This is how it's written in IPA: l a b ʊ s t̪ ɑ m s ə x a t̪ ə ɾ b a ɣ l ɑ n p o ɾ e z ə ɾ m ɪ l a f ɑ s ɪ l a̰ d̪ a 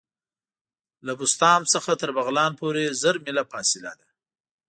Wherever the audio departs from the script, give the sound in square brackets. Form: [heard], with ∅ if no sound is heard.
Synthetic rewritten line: l a b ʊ s t̪ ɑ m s ə x a t̪ ə ɾ b a ɣ l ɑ n p o ɾ e z ə ɾ m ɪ l a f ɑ s ɪ l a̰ d̪ a